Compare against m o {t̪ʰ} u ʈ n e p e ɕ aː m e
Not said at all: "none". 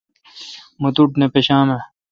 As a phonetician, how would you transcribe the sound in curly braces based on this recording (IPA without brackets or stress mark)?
t̪